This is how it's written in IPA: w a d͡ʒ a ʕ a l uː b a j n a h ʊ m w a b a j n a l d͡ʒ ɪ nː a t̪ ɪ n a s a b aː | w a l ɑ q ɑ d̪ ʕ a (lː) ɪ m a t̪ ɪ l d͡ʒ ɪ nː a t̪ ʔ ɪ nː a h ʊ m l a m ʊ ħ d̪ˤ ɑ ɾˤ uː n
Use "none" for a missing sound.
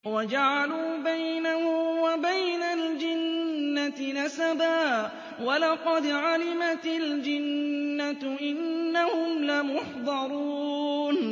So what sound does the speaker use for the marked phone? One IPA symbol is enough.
l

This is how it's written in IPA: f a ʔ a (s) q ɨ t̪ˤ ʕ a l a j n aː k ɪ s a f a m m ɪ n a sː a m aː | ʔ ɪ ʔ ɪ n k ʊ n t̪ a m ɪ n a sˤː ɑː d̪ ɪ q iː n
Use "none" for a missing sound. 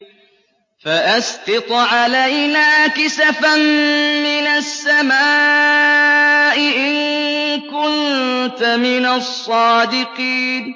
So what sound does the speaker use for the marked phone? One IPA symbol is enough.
s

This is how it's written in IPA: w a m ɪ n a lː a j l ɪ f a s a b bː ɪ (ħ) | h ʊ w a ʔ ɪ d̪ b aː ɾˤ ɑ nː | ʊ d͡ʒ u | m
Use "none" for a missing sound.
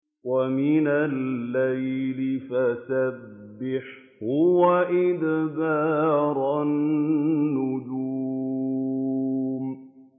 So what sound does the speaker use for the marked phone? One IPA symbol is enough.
ħ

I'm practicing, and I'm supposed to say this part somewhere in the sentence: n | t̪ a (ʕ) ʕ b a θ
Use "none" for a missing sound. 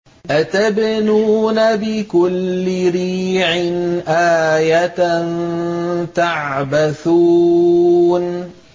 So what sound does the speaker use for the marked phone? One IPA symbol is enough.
ʕ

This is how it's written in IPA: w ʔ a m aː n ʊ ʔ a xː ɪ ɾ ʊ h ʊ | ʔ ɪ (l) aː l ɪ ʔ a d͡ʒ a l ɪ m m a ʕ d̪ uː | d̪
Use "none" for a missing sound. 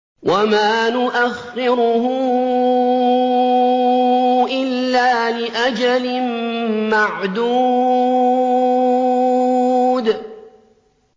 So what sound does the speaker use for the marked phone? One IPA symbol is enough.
lː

